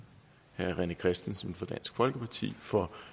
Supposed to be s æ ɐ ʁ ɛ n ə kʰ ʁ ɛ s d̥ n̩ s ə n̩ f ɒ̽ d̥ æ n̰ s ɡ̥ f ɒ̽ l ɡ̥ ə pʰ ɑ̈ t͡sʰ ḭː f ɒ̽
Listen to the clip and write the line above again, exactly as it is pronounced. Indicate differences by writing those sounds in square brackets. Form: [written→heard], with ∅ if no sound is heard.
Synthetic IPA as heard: [s→h] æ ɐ ʁ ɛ n ə kʰ ʁ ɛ s d̥ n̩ s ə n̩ f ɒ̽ d̥ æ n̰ s ɡ̥ f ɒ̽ l ɡ̥ ə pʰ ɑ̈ t͡sʰ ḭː f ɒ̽